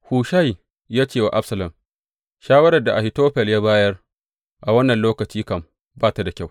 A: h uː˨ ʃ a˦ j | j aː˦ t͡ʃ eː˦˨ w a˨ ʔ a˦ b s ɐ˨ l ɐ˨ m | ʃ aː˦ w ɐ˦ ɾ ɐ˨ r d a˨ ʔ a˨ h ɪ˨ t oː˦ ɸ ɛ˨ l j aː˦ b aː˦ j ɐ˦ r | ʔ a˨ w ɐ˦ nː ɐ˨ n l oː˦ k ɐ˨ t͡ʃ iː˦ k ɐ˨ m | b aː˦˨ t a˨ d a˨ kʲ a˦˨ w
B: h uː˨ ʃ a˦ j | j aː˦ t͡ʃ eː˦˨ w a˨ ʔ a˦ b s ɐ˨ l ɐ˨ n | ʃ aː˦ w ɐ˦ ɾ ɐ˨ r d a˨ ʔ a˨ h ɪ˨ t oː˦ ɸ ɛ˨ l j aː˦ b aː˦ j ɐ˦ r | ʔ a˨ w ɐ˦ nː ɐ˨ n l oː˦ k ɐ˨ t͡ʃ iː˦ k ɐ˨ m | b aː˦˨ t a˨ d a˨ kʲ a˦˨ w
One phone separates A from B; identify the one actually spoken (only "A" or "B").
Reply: A